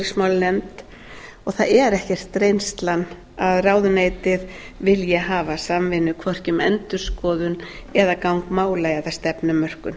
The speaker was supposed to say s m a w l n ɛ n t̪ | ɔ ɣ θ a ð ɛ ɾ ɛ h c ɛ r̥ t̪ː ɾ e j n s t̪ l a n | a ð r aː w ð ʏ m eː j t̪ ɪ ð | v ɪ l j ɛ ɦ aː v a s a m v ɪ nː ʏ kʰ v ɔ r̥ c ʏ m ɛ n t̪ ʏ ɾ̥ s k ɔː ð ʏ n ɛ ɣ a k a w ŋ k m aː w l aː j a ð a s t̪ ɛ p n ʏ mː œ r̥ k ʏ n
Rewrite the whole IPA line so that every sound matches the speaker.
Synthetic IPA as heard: s m a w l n ɛ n t̪ | ɔ ɣ θ a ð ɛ ɾ ɛ h c ɛ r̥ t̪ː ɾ e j n s t̪ l a n | a ð r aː w ð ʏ n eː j t̪ ɪ ð | v ɪ l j ɛ ɦ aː v a s a m v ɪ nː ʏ kʰ v ɔ r̥ c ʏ m ɛ n t̪ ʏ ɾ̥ s k ɔː ð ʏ n ɛ ð a k a w ŋ k m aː w l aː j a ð a s t̪ ɛ p n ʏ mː œ r̥ k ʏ n